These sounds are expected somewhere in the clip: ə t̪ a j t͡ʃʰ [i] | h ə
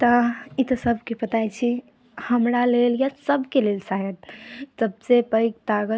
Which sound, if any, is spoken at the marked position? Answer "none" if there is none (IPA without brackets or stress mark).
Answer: i